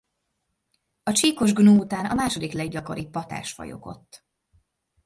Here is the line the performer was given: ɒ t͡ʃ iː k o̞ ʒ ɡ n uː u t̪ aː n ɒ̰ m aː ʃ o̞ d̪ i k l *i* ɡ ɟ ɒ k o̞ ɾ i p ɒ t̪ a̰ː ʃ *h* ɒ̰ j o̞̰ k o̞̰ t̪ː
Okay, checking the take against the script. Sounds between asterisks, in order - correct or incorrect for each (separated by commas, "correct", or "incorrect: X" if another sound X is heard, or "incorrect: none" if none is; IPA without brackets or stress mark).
incorrect: ɛ, incorrect: f